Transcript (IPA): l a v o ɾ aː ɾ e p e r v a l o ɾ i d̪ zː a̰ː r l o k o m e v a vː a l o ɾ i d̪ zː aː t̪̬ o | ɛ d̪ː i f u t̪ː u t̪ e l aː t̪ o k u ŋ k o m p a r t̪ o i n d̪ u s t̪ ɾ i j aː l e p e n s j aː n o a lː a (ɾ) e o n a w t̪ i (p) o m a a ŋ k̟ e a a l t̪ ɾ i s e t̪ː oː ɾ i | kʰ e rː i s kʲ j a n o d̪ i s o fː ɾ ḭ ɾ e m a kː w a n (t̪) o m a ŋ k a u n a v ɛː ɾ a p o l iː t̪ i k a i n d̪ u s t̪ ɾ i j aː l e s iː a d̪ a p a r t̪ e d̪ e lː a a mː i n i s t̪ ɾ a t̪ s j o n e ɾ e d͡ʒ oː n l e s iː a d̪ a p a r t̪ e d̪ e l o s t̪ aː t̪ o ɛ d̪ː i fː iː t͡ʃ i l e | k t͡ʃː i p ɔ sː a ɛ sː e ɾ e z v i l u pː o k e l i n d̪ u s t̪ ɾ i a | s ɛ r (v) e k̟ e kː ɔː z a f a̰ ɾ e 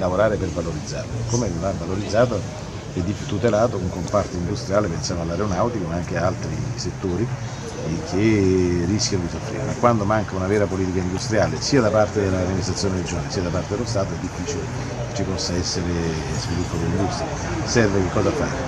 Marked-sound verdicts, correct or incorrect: correct, incorrect: k, incorrect: d̪, correct

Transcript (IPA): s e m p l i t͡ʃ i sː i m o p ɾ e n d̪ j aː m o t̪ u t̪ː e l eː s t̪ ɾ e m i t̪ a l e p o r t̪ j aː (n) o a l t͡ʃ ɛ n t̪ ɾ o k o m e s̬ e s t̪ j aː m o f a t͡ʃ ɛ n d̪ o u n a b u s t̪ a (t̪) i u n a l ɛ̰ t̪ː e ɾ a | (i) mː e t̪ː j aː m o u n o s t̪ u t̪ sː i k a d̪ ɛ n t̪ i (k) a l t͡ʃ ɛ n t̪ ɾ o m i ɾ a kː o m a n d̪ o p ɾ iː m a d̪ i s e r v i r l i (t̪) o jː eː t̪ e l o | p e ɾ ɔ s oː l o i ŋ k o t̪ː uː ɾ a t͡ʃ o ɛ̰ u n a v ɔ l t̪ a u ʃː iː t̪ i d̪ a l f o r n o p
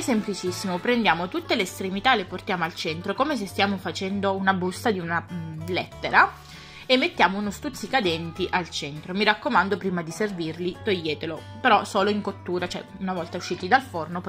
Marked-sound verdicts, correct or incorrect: incorrect: m, incorrect: d̪, incorrect: e, incorrect: ʔ, correct

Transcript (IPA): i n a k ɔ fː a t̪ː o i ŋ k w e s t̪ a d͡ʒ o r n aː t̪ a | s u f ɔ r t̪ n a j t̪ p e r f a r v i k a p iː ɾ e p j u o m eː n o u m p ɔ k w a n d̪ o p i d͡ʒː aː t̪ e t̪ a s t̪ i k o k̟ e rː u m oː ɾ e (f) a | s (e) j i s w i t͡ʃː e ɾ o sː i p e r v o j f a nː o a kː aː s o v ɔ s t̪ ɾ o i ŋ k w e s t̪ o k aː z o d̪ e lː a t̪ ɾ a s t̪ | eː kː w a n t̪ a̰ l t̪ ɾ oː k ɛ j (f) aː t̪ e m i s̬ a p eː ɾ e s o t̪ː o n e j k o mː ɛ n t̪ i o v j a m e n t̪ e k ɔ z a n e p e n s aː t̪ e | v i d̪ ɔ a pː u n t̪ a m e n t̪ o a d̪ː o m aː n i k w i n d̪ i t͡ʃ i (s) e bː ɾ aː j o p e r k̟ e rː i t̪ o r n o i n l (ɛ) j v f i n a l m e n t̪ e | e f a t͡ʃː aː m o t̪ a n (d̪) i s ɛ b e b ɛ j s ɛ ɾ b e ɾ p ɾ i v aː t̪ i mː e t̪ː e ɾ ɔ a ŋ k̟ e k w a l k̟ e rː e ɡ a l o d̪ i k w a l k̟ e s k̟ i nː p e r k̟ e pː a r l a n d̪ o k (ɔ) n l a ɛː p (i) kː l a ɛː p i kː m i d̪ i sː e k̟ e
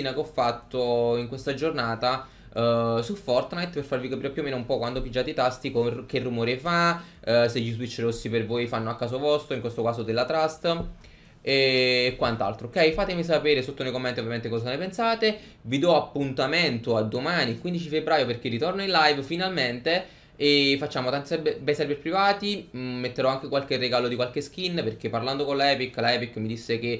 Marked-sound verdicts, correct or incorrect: correct, correct, correct, incorrect: f, incorrect: a, incorrect: t̪, incorrect: o, correct

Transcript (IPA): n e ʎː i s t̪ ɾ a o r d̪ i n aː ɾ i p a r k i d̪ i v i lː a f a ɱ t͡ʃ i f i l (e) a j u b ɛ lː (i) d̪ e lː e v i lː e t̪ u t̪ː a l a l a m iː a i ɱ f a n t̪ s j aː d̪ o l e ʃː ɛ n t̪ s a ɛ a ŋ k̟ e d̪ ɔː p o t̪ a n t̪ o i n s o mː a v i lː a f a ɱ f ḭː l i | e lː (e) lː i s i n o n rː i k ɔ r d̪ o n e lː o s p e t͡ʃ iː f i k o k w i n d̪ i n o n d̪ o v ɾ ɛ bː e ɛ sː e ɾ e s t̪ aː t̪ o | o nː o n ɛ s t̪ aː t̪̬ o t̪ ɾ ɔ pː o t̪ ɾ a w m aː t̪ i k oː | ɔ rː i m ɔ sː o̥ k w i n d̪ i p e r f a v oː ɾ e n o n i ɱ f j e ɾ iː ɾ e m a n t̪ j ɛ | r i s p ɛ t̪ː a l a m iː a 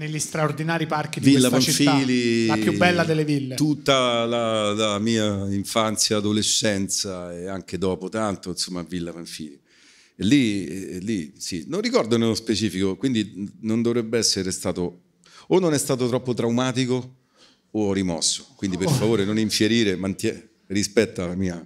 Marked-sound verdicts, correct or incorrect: incorrect: i, incorrect: a, incorrect: i

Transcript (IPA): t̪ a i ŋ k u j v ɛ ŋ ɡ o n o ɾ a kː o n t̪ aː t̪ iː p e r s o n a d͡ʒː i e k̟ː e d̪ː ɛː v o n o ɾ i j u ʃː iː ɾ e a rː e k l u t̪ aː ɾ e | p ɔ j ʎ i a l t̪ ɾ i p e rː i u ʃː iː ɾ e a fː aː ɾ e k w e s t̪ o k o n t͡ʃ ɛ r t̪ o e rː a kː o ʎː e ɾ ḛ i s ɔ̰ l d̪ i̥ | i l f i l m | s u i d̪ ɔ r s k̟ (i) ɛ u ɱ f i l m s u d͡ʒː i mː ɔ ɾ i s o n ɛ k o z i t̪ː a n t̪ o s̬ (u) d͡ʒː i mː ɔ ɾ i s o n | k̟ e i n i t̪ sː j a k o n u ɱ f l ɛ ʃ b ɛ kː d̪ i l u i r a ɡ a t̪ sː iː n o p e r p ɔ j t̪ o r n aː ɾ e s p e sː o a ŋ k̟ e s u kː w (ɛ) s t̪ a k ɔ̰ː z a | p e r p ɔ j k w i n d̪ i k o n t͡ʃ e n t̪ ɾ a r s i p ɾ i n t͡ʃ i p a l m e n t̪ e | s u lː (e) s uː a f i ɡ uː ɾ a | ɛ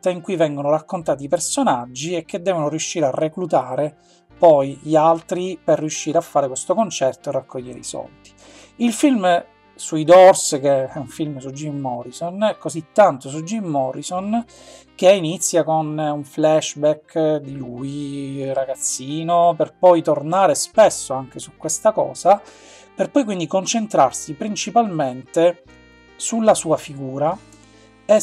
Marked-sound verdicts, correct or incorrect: incorrect: e, correct, incorrect: e, incorrect: a

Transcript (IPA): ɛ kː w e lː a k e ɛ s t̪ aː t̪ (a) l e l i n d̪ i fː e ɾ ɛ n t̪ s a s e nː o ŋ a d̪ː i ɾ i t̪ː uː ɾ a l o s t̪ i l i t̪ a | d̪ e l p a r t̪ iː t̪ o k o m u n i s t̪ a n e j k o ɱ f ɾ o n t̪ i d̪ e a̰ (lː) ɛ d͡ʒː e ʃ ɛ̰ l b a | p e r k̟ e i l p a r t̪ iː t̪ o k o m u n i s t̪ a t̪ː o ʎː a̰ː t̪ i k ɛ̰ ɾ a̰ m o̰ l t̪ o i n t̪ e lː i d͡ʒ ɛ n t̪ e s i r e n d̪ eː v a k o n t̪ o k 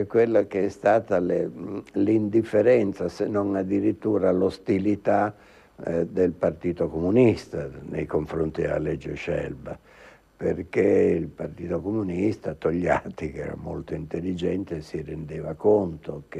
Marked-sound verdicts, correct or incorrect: correct, incorrect: l

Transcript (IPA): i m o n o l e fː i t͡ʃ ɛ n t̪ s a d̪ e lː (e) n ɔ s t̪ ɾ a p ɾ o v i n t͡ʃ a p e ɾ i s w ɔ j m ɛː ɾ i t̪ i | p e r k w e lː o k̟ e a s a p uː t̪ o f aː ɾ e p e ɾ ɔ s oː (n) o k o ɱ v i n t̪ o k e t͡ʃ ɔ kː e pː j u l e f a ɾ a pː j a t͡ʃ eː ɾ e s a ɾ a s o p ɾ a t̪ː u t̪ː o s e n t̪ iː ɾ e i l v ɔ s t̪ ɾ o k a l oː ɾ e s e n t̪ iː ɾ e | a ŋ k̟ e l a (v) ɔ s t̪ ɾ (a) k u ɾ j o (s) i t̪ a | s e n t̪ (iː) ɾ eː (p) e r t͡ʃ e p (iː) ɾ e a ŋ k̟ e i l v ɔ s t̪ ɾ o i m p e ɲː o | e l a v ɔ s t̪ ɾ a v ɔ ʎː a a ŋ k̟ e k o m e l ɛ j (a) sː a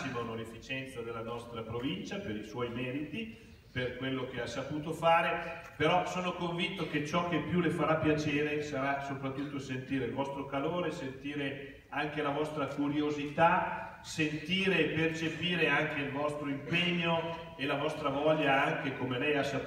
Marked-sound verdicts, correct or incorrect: incorrect: a, correct, correct, correct, incorrect: z, correct, correct, correct, correct

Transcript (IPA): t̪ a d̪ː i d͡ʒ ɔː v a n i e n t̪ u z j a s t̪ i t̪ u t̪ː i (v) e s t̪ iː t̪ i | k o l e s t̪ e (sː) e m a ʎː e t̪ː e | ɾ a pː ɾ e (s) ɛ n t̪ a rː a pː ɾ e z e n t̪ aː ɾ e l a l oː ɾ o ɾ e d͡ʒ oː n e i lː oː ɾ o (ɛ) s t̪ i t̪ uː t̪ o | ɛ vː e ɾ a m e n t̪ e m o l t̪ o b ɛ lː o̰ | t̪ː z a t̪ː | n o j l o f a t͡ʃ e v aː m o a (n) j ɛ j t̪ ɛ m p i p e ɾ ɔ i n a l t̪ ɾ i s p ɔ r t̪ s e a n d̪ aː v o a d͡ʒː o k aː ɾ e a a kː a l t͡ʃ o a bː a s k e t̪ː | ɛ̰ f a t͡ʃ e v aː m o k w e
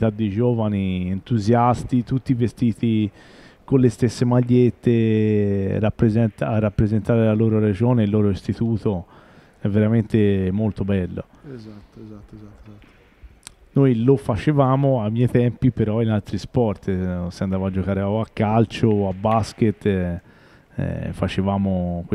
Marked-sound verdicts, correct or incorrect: correct, correct, incorrect: z, incorrect: i, incorrect: m

